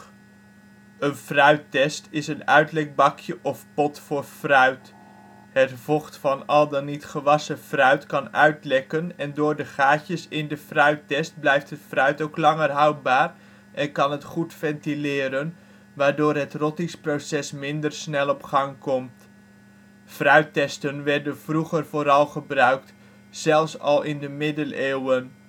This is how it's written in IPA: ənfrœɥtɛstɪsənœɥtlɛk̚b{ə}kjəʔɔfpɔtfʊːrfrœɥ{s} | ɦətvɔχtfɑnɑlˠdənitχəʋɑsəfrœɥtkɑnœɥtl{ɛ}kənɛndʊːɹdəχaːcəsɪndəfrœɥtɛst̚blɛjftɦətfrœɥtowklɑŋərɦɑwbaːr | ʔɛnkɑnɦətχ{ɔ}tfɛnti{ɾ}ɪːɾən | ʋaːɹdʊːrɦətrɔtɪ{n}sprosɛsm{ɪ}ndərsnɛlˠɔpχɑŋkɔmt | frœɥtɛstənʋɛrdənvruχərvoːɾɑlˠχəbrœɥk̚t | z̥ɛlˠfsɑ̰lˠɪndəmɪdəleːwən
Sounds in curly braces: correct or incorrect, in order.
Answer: incorrect: ɑ, incorrect: t, correct, incorrect: u, incorrect: l, incorrect: ŋ, correct

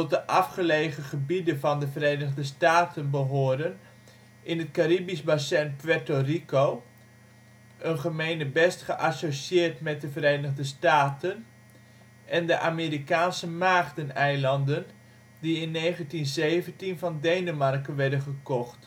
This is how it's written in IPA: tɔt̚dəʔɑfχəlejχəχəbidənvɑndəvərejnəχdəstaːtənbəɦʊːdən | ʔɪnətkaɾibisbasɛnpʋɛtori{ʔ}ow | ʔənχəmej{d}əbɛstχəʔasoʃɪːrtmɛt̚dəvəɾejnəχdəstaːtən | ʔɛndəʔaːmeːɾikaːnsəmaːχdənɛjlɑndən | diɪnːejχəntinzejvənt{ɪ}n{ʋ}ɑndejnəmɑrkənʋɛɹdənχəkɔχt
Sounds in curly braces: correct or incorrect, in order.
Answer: incorrect: k, incorrect: n, incorrect: i, incorrect: v

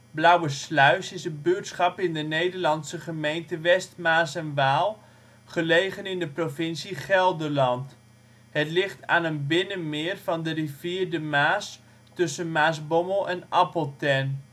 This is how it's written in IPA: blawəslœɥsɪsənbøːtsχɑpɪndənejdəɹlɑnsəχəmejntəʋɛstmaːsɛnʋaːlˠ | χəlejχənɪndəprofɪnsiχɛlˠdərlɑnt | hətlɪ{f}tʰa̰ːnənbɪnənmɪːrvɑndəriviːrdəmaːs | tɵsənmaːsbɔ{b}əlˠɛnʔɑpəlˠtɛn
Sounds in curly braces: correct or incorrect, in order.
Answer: incorrect: χ, incorrect: m

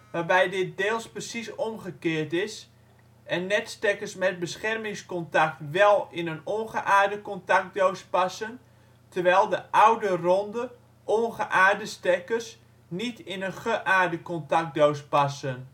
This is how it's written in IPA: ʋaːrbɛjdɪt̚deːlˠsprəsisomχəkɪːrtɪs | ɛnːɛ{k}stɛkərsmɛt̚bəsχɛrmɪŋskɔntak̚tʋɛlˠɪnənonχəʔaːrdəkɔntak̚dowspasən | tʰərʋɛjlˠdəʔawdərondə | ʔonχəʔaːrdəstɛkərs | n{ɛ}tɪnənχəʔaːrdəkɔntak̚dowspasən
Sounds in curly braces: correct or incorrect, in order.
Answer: incorrect: t, incorrect: i

